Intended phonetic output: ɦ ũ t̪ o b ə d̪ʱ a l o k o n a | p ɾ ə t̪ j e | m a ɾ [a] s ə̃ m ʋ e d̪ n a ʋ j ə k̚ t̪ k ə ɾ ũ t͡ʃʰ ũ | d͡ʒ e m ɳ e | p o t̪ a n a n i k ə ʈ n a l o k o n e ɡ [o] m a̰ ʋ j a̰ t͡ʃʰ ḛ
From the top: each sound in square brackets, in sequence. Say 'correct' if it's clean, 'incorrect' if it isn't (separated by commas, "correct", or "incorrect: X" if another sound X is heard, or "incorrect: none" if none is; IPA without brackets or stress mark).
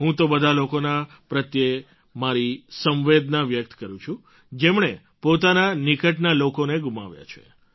incorrect: i, incorrect: u